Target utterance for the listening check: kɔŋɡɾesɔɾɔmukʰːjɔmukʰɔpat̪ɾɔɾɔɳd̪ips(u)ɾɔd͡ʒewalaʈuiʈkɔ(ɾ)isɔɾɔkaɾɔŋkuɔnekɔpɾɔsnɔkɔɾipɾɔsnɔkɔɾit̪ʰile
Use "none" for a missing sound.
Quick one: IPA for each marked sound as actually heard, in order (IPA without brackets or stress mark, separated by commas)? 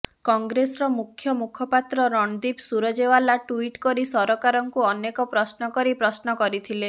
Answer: u, ɾ